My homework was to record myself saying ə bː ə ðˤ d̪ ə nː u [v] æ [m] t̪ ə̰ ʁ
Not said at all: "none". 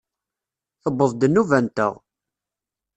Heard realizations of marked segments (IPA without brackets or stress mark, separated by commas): v, n